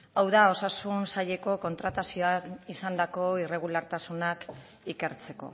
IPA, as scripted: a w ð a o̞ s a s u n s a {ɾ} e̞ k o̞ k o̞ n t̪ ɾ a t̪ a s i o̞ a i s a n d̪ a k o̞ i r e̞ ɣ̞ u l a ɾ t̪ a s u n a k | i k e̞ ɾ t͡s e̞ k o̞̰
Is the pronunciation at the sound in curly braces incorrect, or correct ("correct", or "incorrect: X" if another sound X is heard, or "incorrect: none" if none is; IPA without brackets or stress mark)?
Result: incorrect: ʎ